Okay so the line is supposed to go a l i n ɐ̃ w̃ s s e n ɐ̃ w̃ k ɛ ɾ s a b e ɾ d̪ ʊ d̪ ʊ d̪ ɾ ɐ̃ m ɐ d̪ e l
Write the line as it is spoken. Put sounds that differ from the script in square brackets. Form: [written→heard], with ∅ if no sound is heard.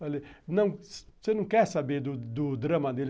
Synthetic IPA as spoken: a l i n ɐ̃ w̃ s s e n ɐ̃ w̃ k ɛ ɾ s a b e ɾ d̪ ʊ d̪ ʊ d̪ ɾ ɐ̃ m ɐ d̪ e l